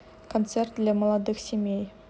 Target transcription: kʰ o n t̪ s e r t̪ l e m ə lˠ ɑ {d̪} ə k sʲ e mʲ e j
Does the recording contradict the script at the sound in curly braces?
no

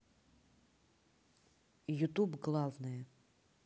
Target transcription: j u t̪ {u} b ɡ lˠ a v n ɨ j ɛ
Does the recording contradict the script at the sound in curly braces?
no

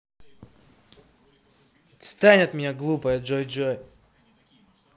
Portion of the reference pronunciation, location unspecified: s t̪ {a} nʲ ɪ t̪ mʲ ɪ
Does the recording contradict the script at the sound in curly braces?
no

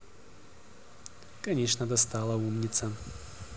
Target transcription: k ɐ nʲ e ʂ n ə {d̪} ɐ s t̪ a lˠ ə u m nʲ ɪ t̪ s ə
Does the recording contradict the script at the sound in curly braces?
no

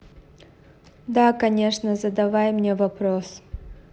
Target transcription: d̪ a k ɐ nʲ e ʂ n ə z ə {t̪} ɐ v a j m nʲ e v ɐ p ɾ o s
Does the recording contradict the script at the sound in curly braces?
yes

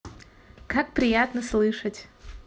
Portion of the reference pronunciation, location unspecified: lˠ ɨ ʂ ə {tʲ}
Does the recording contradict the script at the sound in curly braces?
no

